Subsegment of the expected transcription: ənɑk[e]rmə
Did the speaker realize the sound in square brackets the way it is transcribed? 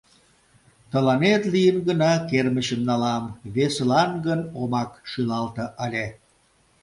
yes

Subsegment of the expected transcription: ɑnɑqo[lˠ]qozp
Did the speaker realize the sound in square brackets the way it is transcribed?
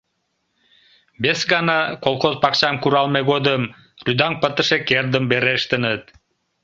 yes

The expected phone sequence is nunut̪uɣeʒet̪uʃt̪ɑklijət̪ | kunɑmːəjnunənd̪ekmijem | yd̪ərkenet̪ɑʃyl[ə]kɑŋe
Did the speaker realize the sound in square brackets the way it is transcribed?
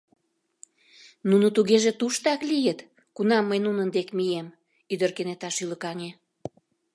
yes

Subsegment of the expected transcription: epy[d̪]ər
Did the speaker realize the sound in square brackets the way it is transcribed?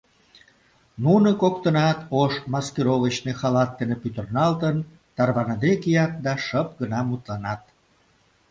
no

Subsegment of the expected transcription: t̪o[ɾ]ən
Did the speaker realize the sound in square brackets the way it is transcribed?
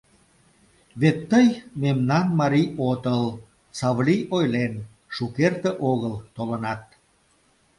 no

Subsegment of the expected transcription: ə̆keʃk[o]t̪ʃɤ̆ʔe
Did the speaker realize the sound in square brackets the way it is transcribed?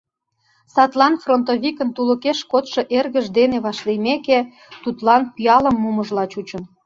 yes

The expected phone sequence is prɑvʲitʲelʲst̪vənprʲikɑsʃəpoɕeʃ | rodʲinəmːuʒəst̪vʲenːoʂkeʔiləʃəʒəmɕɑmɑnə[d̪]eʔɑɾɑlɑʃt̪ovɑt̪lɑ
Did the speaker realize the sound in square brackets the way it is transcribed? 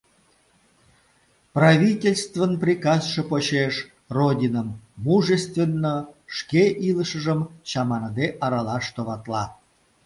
yes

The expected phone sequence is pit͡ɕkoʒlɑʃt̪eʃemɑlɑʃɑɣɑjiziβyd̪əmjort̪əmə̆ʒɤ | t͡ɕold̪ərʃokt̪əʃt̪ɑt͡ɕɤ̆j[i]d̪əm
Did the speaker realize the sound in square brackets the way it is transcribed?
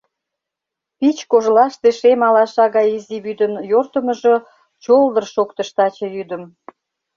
no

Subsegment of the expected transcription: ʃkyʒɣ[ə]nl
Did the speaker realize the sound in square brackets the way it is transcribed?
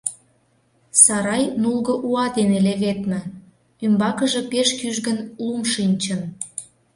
yes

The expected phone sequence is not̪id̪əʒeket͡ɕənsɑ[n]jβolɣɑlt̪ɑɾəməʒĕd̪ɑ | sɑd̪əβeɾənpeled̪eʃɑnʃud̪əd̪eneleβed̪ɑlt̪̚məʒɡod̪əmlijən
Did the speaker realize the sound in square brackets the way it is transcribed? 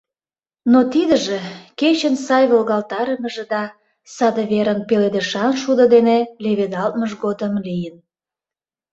no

